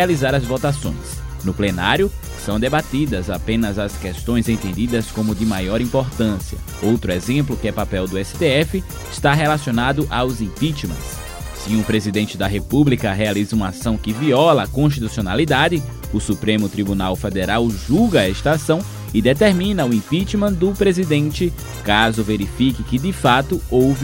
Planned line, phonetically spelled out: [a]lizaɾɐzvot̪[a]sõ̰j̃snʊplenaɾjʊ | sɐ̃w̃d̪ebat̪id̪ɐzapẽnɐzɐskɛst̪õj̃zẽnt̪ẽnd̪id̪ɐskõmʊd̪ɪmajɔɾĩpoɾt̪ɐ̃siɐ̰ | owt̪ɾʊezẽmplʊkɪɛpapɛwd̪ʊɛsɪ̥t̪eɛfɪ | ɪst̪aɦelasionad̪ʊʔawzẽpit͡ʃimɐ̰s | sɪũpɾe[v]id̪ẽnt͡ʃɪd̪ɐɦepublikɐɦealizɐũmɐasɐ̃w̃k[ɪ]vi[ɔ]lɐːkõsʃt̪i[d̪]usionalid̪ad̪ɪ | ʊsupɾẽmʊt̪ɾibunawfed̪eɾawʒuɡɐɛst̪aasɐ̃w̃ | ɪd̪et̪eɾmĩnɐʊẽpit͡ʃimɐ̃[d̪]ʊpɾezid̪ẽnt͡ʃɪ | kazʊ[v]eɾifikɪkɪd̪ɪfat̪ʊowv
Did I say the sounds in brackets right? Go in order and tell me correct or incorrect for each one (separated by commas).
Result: correct, correct, incorrect, correct, correct, incorrect, correct, correct